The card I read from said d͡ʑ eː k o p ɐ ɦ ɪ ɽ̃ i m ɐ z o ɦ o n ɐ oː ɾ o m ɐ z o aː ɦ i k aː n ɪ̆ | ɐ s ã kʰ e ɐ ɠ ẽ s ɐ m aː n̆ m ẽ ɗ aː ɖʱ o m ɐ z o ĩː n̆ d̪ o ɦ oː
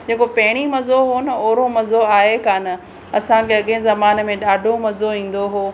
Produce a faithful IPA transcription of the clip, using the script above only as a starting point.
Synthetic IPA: d͡ʑ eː k o p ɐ ɦ ɪ ɽ̃ i m ɐ z o ɦ o n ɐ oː ɾ o m ɐ z o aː ɦ e k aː n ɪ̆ | ɐ s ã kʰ e ɐ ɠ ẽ z ɐ m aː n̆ m ẽ ɗ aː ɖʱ o m ɐ z o ĩː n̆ d̪ o ɦ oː